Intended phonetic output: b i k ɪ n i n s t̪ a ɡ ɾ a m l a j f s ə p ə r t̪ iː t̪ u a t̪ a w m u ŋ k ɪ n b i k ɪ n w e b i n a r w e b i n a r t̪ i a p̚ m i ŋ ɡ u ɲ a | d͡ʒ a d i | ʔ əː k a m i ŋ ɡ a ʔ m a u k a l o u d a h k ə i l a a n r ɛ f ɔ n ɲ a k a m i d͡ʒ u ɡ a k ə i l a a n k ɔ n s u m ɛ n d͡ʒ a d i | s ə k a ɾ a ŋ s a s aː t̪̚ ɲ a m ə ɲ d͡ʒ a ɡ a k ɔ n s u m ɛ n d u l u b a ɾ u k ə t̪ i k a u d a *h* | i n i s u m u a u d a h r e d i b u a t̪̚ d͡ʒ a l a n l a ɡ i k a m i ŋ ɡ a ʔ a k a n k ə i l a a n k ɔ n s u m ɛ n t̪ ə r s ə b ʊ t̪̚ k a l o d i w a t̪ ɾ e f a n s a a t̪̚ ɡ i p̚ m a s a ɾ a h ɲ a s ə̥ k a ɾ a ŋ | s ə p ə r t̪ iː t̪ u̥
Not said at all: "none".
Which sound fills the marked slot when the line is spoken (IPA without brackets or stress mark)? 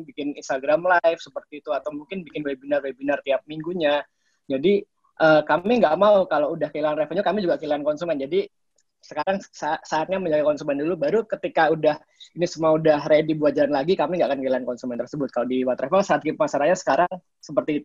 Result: h